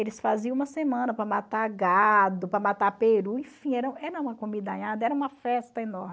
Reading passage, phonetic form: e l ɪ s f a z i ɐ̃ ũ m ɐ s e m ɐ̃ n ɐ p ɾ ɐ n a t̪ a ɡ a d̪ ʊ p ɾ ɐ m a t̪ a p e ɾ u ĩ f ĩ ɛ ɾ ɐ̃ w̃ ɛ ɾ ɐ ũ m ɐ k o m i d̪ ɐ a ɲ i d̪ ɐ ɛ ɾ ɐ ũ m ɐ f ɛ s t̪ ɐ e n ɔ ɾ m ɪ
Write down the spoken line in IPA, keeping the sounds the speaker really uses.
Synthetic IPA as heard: e l ɪ s f a z i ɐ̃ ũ m ɐ s e m ɐ̃ n ɐ p ɾ ɐ m a t̪ a ɡ a d̪ ʊ p ɾ ɐ m a t̪ a p e ɾ u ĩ f ĩ ɛ ɾ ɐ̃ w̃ ɛ ɾ ɐ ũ m ɐ k o m i d̪ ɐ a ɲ a d̪ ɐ ɛ ɾ ɐ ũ m ɐ f ɛ s t̪ ɐ e n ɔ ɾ m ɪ